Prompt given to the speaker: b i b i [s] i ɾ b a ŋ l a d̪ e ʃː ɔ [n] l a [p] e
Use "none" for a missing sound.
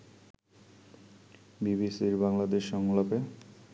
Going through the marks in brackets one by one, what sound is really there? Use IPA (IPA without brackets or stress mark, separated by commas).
s, ŋ, p